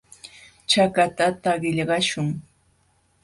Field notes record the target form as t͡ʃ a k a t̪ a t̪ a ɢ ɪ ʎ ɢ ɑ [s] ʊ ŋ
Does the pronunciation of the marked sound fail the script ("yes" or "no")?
yes